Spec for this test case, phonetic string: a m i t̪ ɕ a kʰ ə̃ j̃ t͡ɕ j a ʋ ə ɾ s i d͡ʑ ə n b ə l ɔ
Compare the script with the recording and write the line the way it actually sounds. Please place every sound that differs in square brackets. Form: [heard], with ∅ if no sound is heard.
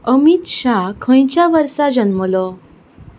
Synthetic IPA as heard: [ə] m i t̪ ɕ a kʰ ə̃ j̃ t͡ɕ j a ʋ ə ɾ s [a] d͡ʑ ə n [m] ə l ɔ